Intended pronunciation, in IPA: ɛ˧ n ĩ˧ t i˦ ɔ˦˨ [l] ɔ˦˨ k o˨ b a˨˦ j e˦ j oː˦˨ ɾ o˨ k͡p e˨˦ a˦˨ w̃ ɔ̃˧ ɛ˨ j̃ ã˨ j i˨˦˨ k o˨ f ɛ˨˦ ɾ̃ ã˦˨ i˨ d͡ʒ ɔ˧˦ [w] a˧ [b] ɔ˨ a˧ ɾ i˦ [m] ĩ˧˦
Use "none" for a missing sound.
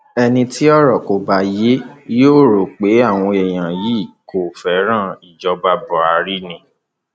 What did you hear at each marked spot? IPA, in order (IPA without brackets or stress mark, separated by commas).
ɾ, b, b, n